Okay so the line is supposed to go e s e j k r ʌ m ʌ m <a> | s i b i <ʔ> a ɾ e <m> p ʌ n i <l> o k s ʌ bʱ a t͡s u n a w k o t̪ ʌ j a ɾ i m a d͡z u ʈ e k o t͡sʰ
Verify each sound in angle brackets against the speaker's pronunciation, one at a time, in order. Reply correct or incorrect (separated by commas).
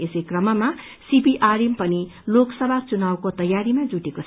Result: correct, correct, correct, correct